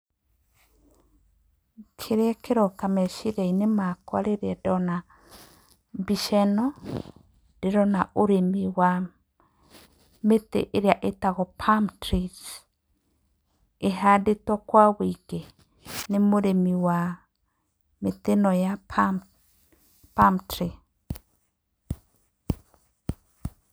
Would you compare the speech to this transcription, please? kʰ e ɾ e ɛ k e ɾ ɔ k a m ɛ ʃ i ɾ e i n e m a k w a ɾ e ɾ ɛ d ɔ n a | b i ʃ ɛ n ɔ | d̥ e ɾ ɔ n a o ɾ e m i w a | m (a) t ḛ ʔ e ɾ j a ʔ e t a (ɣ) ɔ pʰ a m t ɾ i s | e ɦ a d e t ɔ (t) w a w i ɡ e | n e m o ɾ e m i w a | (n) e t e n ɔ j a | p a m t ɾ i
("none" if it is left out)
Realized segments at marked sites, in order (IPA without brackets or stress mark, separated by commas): e, ɣ, k, m